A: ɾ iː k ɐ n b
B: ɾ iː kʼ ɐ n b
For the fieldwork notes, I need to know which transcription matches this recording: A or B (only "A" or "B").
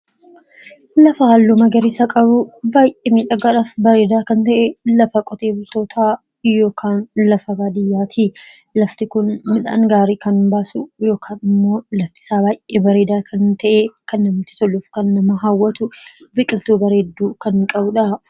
A